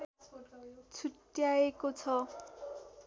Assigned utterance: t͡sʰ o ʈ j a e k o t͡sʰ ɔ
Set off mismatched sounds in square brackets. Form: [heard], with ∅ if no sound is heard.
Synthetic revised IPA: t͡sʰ [u] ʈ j a e k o t͡sʰ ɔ